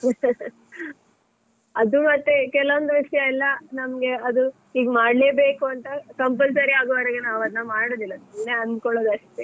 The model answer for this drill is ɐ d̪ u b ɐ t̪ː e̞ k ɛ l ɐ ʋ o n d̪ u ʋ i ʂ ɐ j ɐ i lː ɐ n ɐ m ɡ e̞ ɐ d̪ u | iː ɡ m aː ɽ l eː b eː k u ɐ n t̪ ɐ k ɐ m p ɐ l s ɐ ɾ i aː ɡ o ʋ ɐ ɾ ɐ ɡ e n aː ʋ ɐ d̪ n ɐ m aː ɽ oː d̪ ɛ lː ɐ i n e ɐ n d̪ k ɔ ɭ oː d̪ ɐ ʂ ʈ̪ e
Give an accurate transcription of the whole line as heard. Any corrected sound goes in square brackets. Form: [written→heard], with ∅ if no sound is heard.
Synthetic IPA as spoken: ɐ d̪ u [b→m] ɐ t̪ː e̞ k ɛ l ɐ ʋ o n d̪ u ʋ i ʂ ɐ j ɐ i lː ɐ n ɐ m ɡ e̞ ɐ d̪ u | iː ɡ m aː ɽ l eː b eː k u ɐ n t̪ ɐ k ɐ m p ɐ l s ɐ ɾ i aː ɡ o ʋ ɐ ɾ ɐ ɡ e n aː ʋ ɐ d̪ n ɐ m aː ɽ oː d̪ [ɛ→i] lː ɐ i n e ɐ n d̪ k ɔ ɭ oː d̪ ɐ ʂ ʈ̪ e